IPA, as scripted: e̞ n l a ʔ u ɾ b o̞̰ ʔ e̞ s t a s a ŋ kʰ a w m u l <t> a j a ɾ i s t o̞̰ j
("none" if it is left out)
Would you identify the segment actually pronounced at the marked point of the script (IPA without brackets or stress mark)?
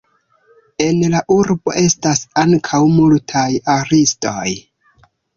tʰ